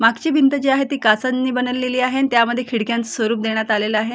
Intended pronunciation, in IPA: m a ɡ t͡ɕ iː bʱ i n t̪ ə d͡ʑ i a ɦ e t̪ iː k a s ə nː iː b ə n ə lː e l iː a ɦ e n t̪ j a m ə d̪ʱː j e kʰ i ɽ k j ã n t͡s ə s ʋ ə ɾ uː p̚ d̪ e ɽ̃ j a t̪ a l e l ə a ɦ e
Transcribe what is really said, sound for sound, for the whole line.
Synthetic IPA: m a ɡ t͡ɕ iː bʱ i n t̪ ə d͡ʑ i a ɦ e t̪ iː k a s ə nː iː b ə n ə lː e l iː a ɦ e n t̪ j a m ə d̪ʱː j e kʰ i ɽ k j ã n t͡s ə s ʋ ə ɾ uː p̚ d̪ e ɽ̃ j a t̪ a l e l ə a ɦ e